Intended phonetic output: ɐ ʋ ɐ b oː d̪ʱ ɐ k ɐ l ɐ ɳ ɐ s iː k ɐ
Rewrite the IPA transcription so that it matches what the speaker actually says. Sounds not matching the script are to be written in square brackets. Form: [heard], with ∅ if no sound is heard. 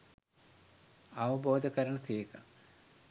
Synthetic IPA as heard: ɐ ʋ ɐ b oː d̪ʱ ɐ k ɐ [ɾ] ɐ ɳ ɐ s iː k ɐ